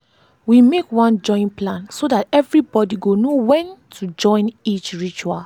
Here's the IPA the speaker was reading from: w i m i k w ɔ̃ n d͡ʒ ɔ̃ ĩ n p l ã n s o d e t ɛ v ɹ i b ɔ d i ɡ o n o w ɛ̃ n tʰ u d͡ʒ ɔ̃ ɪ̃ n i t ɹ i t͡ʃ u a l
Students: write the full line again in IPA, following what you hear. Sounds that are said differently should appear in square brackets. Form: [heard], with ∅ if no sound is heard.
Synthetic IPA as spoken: w i m [e] k w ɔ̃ n d͡ʒ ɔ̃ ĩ n p l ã n s o d [a] t ɛ v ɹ i b ɔ d i ɡ o n o w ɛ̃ n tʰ u d͡ʒ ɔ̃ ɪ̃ n i [t͡ʃ] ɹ i t͡ʃ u a l